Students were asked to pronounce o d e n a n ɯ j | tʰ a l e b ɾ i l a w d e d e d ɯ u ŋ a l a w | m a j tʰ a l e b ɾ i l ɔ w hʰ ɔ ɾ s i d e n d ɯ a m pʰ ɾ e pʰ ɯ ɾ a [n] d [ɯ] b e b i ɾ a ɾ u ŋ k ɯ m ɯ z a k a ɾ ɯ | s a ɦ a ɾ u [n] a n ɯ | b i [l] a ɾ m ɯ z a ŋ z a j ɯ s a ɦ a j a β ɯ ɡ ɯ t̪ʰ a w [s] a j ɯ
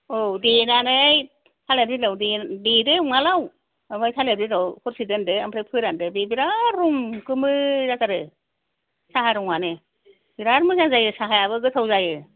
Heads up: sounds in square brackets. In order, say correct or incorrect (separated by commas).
correct, correct, incorrect, incorrect, incorrect